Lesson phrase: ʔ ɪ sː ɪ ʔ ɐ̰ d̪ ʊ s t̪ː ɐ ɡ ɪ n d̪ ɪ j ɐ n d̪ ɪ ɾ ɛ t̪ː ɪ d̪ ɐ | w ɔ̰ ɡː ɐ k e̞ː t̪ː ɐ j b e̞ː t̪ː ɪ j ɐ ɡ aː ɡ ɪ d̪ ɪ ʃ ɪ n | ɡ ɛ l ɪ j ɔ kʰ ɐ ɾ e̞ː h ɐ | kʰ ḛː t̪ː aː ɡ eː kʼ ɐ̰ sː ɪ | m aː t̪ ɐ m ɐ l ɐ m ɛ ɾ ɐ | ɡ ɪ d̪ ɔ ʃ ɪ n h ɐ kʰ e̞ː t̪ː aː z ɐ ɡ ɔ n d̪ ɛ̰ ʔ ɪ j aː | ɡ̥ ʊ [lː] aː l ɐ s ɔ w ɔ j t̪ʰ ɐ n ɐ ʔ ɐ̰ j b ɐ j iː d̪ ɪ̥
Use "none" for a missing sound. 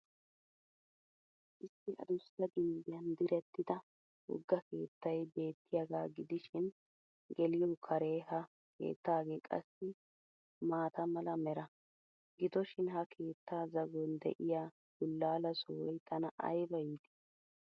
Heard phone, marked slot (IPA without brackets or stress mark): lː